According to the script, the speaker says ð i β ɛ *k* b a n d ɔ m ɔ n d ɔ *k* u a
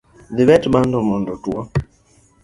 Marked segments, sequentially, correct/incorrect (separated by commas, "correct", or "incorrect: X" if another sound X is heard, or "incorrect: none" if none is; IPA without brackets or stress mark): incorrect: t, incorrect: t